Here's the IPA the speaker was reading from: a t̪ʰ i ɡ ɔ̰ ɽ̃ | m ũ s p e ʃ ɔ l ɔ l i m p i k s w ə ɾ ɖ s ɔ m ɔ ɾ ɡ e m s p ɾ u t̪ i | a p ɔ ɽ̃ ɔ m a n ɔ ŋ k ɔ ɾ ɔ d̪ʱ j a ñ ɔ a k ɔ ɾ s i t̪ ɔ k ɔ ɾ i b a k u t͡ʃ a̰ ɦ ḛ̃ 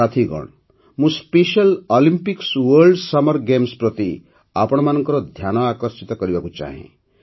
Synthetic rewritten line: a t̪ʰ i ɡ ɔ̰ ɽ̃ | m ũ s p e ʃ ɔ l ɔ l i m p i k s w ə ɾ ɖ s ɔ m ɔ ɾ ɡ e m s p ɾ ɔ t̪ i | a p ɔ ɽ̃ ɔ m a n ɔ ŋ k ɔ ɾ ɔ d̪ʱ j a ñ ɔ a k ɔ ɾ s i t̪ ɔ k ɔ ɾ i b a k u t͡ʃ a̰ ɦ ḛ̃